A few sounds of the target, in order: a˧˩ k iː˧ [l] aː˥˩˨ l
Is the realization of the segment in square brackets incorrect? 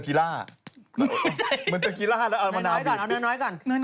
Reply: no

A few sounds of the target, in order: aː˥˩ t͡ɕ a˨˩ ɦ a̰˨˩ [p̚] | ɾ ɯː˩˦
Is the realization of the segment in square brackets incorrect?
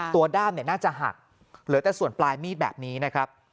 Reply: yes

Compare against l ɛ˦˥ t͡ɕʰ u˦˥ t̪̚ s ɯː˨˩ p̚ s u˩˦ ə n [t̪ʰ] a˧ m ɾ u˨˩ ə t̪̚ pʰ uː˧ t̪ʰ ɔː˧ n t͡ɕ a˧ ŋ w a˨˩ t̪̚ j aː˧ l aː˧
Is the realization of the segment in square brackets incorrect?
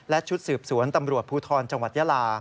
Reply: yes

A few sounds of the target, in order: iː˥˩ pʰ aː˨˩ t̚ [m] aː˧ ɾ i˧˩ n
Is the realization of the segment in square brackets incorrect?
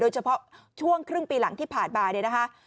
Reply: yes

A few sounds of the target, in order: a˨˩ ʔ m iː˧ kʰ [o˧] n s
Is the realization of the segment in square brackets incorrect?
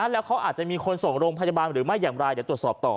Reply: no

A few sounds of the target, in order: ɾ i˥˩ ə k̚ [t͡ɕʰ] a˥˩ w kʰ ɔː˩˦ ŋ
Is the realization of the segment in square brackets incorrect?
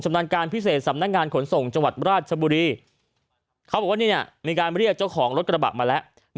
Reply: yes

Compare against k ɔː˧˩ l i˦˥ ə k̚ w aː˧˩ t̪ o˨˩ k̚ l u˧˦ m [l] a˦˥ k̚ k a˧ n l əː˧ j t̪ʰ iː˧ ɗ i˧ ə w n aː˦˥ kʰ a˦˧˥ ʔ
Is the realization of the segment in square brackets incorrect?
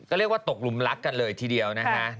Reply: no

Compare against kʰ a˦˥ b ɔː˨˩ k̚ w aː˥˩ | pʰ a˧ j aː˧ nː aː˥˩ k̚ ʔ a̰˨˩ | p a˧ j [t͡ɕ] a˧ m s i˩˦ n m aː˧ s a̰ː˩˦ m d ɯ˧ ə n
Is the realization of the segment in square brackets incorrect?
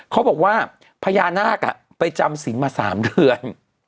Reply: no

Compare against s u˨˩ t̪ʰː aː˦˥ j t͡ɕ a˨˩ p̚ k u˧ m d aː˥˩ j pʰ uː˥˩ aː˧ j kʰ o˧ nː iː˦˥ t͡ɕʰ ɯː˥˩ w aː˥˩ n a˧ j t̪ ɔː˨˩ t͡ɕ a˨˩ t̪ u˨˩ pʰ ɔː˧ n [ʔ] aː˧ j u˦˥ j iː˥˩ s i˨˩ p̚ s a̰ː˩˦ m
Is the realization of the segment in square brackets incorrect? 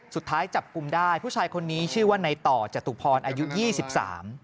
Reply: no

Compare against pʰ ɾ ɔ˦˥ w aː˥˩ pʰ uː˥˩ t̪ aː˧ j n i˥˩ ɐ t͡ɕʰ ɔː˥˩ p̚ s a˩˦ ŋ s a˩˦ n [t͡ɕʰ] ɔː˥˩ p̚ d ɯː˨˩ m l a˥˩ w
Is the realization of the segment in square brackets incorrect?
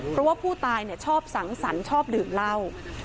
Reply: no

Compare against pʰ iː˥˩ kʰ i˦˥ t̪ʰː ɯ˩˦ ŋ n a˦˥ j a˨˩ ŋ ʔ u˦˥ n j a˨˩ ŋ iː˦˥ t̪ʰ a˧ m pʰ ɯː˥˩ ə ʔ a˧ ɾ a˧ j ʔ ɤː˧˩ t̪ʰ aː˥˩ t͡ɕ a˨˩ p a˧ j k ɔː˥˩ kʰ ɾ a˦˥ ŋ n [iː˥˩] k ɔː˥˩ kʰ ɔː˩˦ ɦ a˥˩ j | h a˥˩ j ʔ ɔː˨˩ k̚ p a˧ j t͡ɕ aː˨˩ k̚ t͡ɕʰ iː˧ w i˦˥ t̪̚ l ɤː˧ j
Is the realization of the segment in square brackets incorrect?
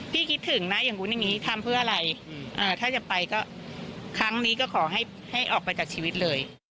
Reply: yes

